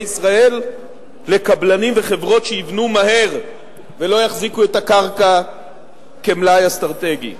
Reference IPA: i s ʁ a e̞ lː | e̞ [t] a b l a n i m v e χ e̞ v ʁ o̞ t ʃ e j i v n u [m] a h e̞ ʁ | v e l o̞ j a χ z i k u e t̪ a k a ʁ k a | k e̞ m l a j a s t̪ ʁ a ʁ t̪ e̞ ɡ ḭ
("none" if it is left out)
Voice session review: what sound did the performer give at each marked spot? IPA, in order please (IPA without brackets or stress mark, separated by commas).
k, m